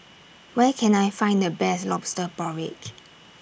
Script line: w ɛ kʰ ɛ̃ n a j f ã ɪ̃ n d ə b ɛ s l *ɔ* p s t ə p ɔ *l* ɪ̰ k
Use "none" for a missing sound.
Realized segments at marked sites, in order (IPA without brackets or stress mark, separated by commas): ɔ, ɹ